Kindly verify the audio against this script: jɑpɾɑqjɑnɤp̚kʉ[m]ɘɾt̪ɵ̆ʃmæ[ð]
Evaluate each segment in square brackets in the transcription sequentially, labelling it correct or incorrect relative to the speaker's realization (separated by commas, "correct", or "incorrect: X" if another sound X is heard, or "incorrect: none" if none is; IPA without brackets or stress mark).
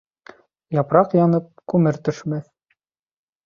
correct, incorrect: θ